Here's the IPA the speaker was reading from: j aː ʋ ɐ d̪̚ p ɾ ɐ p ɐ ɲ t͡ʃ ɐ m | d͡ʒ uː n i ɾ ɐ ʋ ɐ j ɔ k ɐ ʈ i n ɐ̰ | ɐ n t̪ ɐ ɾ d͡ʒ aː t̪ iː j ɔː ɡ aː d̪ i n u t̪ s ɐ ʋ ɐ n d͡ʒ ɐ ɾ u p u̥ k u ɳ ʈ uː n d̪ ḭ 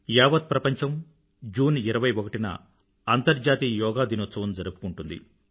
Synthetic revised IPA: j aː ʋ ɐ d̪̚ p ɾ ɐ p ɐ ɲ t͡ʃ ɐ m | d͡ʒ uː n i ɾ ɐ ʋ ɐ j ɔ k ɐ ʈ i n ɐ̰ | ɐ n t̪ ɐ ɾ d͡ʒ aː t̪ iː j ɔː ɡ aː d̪ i n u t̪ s ɐ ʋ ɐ n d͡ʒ ɐ ɾ u p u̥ k u ɳ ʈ u n d̪ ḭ